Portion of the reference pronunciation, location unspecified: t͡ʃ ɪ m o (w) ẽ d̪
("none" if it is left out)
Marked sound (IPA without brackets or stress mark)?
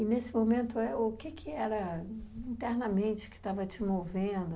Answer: v